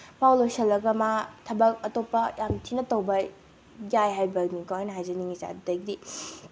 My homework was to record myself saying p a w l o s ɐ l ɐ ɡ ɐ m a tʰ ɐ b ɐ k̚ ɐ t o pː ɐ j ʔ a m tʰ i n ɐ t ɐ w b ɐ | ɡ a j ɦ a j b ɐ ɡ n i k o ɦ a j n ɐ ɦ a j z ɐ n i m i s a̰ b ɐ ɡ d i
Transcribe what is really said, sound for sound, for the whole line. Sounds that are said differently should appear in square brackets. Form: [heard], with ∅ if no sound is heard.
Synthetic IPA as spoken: p a w l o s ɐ l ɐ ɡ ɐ m a tʰ ɐ b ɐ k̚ ɐ t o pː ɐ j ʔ a m tʰ i n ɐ t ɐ w b ɐ | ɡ a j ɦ a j b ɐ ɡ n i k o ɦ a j n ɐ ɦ a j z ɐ n i [ŋ] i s a̰ [d] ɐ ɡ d i